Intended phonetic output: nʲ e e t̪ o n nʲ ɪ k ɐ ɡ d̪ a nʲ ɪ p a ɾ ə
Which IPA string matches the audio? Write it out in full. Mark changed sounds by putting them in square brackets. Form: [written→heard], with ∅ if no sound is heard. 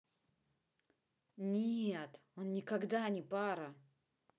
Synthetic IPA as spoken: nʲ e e t̪ o n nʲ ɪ k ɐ ɡ d̪ a nʲ ɪ p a ɾ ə